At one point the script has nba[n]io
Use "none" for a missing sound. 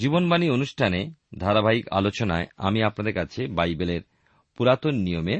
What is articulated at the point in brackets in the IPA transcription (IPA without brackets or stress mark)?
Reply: n